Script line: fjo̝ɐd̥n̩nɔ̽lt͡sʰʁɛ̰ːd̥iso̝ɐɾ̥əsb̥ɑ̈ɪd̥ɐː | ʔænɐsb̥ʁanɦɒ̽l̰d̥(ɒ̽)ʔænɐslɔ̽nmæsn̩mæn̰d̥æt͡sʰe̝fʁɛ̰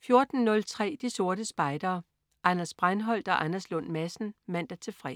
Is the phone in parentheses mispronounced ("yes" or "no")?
no